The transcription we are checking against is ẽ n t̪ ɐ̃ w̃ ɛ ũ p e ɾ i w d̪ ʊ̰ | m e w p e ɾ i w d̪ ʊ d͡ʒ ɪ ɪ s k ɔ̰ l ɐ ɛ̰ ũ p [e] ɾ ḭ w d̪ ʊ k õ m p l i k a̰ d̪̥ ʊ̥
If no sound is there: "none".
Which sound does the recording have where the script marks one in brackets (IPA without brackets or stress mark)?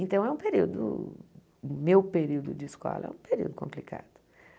e